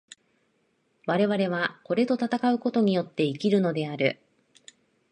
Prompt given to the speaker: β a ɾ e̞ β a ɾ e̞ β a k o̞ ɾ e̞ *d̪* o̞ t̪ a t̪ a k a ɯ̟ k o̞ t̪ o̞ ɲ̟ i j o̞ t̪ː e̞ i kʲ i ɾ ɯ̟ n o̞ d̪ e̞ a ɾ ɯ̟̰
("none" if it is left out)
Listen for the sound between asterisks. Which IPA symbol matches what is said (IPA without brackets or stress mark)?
t̪